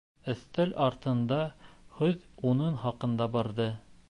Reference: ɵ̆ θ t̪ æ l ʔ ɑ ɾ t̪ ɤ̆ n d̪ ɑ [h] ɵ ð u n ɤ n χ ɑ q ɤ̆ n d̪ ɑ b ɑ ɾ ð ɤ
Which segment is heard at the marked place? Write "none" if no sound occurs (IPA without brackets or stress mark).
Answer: h